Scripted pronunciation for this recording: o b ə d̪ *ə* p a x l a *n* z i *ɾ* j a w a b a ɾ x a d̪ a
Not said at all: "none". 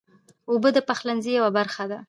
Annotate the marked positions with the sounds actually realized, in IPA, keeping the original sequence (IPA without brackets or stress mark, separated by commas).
ə, n, none